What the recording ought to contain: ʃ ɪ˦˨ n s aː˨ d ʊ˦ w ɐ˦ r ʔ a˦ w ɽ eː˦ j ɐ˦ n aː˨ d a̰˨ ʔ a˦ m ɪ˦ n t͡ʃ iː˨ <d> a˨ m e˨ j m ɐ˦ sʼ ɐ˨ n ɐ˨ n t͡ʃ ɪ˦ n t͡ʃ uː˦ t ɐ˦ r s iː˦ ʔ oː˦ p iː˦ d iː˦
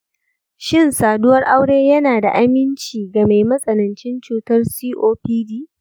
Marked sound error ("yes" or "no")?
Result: yes